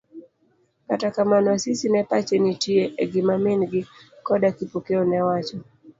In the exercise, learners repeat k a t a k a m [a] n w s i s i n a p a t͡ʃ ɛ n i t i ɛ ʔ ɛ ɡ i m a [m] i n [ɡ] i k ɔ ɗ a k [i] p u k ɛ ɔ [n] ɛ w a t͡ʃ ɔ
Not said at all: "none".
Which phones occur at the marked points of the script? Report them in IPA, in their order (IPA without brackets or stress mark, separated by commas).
a, m, ɡ, i, n